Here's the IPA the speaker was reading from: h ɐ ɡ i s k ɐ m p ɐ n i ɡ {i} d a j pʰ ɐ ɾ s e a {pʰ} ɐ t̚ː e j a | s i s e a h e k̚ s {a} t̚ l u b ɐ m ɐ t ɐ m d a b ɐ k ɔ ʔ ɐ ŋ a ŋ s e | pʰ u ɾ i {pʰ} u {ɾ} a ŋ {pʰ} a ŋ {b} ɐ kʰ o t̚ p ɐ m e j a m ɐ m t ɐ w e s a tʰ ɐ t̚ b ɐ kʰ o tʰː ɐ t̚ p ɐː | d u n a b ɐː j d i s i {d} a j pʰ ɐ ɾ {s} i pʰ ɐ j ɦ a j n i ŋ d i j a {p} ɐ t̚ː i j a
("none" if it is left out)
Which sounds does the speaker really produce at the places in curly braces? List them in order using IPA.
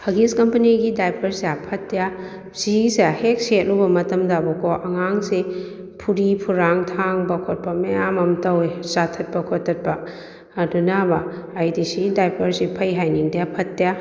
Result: i, pʰ, e, pʰ, ɾ, tʰ, b, d, s, pʰ

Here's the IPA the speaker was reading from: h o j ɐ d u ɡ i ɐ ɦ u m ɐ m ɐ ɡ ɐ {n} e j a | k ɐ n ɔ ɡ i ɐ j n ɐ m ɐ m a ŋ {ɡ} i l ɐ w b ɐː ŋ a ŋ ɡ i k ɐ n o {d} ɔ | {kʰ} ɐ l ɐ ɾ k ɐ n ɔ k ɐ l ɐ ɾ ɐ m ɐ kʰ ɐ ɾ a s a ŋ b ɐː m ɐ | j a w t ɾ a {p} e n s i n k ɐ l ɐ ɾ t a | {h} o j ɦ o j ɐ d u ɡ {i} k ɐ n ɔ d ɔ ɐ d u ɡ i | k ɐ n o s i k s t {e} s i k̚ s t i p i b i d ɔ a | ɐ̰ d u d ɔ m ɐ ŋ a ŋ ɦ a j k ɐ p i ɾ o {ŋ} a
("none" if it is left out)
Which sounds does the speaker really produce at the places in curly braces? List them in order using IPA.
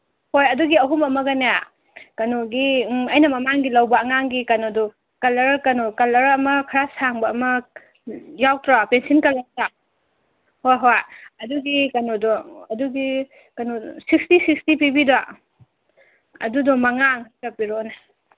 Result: n, ɡ, d, k, p, h, i, i, n

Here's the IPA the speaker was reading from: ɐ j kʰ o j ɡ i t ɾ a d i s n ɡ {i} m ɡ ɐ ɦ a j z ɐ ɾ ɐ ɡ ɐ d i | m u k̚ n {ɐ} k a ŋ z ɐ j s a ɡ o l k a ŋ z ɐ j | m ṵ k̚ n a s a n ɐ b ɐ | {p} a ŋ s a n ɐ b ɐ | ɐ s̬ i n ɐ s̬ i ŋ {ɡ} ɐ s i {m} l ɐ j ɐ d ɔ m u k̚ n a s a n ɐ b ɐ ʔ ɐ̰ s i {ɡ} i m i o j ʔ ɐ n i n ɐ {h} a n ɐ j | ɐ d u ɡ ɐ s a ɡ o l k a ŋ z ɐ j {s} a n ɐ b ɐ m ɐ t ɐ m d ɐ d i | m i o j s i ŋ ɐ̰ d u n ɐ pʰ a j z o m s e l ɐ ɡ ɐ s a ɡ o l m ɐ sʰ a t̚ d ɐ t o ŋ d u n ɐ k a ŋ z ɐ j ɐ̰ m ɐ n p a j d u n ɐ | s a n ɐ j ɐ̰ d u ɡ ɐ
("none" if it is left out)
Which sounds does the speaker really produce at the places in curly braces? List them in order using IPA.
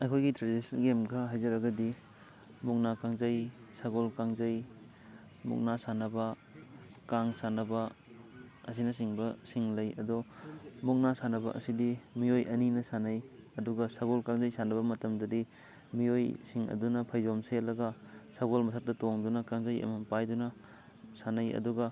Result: e, a, k, b, ŋ, d, s, s

